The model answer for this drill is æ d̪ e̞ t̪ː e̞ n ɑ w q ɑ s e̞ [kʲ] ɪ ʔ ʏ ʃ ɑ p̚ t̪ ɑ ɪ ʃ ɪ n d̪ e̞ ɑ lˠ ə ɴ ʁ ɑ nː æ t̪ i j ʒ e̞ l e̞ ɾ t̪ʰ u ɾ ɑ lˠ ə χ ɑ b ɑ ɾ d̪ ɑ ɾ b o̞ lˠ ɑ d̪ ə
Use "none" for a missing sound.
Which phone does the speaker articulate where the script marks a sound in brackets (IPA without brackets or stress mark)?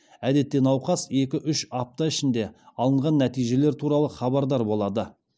kʲ